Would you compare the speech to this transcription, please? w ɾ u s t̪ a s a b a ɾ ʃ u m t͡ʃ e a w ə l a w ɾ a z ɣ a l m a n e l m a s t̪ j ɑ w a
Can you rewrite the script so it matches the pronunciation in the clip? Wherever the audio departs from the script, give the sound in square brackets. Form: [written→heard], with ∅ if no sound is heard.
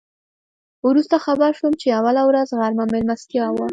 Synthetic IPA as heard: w ɾ u s t̪ a [s→x] a b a ɾ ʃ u m t͡ʃ e a w [ə→a] l a w ɾ a z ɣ a [l→ɾ] m a [n→m] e l m a s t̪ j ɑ w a